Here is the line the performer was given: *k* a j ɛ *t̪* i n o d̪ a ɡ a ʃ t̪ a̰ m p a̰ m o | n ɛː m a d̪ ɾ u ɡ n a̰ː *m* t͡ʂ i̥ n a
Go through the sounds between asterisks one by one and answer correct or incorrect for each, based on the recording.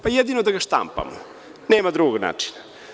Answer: incorrect: p, incorrect: d̪, incorrect: none

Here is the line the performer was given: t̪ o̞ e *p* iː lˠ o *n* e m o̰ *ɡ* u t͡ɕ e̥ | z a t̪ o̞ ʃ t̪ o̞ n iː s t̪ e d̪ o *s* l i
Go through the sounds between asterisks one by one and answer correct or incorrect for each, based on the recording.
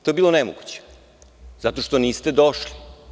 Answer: incorrect: b, correct, correct, incorrect: ʃ

